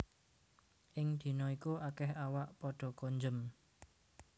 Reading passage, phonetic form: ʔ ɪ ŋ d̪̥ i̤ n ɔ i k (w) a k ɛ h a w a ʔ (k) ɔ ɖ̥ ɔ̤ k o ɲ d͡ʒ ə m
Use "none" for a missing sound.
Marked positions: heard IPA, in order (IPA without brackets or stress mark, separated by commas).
u, p